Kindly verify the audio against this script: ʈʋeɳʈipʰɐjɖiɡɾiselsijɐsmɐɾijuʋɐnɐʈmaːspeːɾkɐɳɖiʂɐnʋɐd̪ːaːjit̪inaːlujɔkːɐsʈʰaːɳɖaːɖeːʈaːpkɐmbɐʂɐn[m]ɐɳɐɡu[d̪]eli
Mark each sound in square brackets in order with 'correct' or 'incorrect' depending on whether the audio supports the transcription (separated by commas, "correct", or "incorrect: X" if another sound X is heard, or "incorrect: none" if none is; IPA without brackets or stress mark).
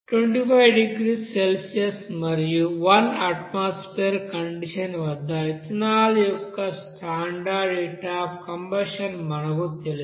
correct, incorrect: t̪